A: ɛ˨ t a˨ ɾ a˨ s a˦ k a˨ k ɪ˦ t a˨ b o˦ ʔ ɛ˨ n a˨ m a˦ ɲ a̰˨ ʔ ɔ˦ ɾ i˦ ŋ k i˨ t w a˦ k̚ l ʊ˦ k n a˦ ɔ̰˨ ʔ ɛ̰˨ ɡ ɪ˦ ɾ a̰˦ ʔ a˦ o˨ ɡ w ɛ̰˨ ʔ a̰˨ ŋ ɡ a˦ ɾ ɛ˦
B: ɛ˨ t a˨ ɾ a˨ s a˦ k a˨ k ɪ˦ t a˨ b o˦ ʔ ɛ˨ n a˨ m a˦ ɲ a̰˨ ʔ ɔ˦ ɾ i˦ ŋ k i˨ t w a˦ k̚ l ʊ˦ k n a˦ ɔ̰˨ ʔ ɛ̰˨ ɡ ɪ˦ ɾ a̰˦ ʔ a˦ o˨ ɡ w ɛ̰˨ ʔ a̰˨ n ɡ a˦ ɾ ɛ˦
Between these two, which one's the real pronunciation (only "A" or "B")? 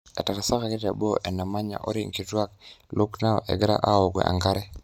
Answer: A